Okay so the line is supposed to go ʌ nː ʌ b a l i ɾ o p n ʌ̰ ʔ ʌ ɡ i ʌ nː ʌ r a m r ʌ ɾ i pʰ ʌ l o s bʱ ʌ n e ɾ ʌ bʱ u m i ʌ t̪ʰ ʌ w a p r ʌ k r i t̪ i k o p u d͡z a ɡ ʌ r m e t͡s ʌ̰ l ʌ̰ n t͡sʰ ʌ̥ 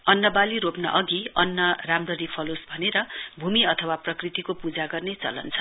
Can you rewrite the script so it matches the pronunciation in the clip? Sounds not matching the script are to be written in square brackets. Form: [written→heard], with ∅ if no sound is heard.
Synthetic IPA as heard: ʌ nː ʌ b a l i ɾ o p n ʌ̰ ʔ ʌ ɡ i ʌ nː ʌ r a m r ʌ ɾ i pʰ ʌ l o s bʱ ʌ n e ɾ ʌ bʱ u m i ʌ t̪ʰ ʌ w a p r ʌ k r i t̪ i k o p u d͡z a ɡ ʌ r [m→n] e t͡s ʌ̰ l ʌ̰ n t͡sʰ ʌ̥